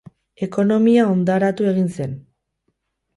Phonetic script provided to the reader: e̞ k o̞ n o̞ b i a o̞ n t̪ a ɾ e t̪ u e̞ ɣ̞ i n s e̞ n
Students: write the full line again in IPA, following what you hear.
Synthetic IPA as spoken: e̞ k o̞ n o̞ m i a o̞ n d̪ a ɾ a t̪ u e̞ ɣ̞ i n s e̞ n